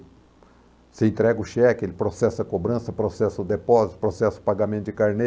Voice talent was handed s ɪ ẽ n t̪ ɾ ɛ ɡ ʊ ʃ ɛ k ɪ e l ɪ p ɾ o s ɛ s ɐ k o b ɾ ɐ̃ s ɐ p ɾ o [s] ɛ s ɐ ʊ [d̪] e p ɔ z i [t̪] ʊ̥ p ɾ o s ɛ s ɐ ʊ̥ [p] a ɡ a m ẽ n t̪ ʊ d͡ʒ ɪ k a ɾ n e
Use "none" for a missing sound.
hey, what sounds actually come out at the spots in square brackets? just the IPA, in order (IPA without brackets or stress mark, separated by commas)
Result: s, d̪, t̪, p